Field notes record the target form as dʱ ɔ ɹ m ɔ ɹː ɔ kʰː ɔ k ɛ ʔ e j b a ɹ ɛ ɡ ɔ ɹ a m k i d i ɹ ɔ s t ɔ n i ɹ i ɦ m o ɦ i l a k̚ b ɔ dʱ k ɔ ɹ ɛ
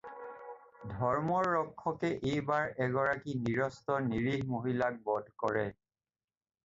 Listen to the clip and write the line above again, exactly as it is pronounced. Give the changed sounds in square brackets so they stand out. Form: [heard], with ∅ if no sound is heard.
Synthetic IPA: dʱ ɔ ɹ m ɔ ɹː ɔ kʰː ɔ k ɛ ʔ e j b a ɹ ɛ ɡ ɔ ɹ a [∅] k i [n] i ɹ ɔ s t ɔ n i ɹ i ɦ m o ɦ i l a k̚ b ɔ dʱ k ɔ ɹ ɛ